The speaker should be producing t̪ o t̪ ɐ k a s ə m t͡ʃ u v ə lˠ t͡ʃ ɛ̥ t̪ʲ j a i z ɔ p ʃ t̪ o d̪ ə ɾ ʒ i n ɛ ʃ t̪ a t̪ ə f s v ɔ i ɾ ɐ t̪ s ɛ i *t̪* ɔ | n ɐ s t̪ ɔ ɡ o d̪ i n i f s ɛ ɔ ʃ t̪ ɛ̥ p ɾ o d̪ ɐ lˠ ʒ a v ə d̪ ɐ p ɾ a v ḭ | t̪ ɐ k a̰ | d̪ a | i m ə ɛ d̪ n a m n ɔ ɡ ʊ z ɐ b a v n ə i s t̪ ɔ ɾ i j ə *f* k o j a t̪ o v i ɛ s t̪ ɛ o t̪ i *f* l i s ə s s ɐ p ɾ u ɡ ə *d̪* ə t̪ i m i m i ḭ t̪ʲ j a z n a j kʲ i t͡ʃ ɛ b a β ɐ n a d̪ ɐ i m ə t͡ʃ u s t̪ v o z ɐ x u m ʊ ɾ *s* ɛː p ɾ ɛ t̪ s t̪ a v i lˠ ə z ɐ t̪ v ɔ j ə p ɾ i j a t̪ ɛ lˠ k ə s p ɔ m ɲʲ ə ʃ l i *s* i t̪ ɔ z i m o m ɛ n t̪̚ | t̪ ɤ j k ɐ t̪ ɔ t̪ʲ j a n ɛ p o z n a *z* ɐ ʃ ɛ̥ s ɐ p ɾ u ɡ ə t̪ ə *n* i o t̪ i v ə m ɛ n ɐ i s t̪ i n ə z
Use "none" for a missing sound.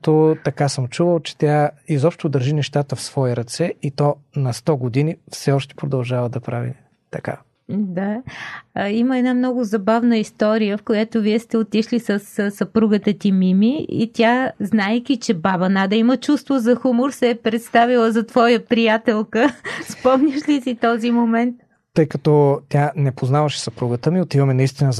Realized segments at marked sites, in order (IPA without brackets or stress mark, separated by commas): t̪, f, ʃ, t̪, s, s, v, m